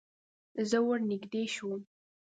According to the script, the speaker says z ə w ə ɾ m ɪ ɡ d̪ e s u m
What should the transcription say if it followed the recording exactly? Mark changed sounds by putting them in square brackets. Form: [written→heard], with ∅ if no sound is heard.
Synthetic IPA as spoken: z ə w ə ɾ [m→n] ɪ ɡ d̪ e [s→ʃ] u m